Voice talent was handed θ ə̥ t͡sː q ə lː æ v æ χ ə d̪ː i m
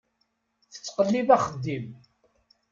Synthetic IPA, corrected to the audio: θ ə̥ t͡sː q ə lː i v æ χ ə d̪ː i m